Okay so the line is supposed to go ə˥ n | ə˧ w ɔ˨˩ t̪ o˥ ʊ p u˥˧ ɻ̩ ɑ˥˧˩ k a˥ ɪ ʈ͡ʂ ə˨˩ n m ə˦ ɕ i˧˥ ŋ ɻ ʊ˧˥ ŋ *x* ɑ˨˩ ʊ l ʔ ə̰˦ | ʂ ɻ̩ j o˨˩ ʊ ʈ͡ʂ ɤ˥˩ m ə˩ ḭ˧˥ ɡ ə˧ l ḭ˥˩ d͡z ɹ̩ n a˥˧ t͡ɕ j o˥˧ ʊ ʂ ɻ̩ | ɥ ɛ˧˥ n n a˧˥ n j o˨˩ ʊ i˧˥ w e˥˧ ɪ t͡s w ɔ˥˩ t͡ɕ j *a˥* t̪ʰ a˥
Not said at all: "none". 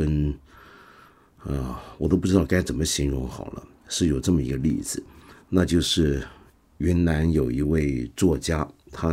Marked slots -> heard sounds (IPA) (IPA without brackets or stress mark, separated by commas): x, a˥